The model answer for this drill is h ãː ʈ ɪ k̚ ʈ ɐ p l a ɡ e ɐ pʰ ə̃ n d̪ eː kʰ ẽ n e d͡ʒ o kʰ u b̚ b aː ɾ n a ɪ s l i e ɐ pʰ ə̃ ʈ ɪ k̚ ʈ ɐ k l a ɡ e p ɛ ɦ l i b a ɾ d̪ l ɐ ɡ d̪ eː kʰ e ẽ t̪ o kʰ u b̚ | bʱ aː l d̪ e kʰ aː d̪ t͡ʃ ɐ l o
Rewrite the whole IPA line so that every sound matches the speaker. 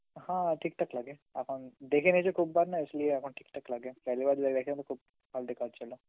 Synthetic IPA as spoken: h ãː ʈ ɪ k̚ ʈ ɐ k l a ɡ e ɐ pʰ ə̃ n d̪ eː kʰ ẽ n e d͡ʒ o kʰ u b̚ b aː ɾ n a ɪ s l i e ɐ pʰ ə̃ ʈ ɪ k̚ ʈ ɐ k l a ɡ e p ɛ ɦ l i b a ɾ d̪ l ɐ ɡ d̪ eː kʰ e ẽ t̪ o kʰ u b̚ | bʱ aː l d̪ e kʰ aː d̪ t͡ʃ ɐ l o